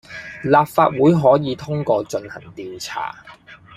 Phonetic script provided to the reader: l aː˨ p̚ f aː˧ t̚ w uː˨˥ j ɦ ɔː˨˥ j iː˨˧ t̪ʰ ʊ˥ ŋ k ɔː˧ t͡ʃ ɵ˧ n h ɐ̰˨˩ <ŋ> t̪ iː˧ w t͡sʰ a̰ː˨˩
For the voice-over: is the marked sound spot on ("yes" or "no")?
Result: yes